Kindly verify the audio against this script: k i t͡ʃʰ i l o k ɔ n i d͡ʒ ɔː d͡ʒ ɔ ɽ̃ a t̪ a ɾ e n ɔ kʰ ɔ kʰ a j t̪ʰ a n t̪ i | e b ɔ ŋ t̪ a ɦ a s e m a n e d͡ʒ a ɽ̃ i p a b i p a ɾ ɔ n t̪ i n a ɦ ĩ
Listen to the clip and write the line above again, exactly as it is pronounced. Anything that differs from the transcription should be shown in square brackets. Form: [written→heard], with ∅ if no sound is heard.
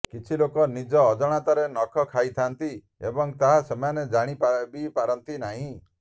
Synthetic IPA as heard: k i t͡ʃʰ i l o k ɔ n i d͡ʒ ɔː d͡ʒ ɔ ɽ̃ a t̪ a ɾ e n ɔ kʰ ɔ kʰ a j t̪ʰ a n t̪ i | e b ɔ ŋ t̪ a ɦ a s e m a n e d͡ʒ a ɽ̃ i p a b i p a ɾ ɔ n t̪ i n a ɦ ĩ